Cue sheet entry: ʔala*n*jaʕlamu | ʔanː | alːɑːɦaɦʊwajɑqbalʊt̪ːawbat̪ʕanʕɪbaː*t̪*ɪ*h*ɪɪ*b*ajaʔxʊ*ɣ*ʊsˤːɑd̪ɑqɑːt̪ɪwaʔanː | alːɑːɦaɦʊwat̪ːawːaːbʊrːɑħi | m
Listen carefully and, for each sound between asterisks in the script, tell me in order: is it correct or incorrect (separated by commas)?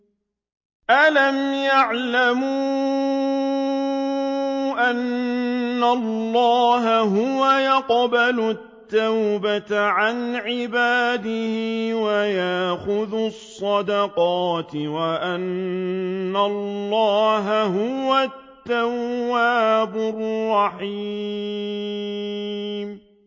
incorrect, incorrect, correct, incorrect, incorrect